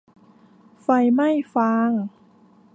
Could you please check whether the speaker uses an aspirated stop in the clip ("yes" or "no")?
no